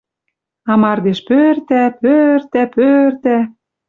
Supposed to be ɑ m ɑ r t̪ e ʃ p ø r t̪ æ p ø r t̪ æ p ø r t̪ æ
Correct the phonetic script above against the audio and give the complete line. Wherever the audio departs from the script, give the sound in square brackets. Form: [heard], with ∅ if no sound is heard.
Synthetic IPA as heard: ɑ m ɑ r [d̪] e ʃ p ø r t̪ æ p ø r t̪ æ p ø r t̪ æ